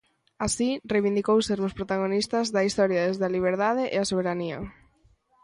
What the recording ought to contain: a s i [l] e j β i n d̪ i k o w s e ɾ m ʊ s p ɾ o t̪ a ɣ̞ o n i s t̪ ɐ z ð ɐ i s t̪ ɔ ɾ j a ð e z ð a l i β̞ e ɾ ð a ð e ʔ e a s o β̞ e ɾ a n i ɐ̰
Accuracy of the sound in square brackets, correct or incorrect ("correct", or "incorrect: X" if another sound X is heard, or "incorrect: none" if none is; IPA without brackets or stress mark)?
incorrect: r